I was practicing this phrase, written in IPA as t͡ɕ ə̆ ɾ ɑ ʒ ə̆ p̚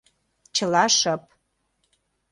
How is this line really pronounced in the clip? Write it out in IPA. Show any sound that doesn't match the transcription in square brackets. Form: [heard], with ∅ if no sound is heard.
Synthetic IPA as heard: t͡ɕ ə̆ [l] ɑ [ʃ] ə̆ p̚

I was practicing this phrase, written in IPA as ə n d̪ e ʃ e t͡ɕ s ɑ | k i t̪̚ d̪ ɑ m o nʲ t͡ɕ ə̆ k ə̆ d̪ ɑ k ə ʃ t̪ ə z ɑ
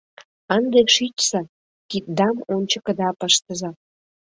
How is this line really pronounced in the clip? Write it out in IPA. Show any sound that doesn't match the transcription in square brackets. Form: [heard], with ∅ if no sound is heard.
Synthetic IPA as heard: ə n d̪ e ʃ [i] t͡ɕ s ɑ | k i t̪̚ d̪ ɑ m o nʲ t͡ɕ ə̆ k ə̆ d̪ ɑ [p] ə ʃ t̪ ə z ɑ

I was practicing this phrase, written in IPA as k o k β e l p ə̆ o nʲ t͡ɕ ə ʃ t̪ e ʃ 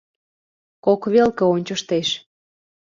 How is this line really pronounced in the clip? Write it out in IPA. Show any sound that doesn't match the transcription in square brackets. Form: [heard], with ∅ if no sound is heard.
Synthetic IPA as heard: k o k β e l [k] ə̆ o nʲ t͡ɕ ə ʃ t̪ e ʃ

